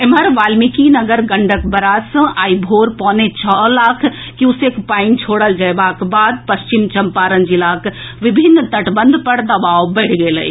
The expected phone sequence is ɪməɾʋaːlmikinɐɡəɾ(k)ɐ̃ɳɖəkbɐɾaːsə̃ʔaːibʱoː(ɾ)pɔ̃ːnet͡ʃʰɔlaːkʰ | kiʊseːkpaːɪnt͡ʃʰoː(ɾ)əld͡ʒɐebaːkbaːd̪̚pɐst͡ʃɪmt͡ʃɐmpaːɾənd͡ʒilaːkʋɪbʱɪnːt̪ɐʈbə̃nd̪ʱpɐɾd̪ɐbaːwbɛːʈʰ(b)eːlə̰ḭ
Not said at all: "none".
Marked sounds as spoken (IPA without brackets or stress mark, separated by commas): ɡ, ɾ, ɽ, ɡ